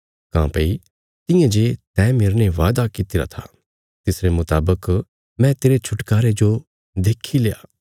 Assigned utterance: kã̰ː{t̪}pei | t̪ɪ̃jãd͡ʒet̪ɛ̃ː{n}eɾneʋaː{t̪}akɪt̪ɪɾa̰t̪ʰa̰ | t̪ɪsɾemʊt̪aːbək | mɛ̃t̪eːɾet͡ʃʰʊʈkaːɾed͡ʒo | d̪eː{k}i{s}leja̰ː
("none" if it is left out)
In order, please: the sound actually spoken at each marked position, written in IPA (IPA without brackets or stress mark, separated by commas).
none, m, d̪, kʰ, none